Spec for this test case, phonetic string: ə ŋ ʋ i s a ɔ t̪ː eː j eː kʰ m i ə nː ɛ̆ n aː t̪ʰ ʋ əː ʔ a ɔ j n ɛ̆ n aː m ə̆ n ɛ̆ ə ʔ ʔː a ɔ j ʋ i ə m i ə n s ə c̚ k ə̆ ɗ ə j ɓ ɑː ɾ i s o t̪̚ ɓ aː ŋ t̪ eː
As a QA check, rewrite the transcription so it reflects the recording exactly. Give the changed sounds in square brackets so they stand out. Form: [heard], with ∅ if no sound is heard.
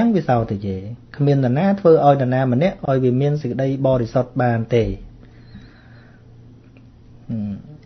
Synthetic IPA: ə ŋ ʋ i s a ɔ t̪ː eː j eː kʰ m i ə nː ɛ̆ n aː t̪ʰ ʋ əː ʔ a ɔ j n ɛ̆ n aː m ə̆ n ɛ̆ ə ʔ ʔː a ɔ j ʋ i ə m i ə n s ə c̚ k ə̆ ɗ ə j ɓ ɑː ɾ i s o t̪̚ ɓ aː [n] t̪ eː